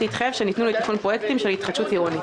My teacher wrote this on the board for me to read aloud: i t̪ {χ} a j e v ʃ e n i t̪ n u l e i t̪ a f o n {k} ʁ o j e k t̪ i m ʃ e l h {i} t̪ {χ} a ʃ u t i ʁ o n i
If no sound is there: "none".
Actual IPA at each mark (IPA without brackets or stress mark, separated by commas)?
χ, p, i, χ